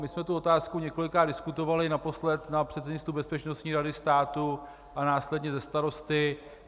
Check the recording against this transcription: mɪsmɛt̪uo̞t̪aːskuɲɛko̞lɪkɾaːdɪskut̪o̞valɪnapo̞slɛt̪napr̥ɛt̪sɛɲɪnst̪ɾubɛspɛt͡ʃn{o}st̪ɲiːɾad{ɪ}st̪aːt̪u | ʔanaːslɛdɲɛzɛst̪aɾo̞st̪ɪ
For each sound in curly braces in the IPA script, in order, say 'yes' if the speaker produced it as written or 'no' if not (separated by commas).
yes, yes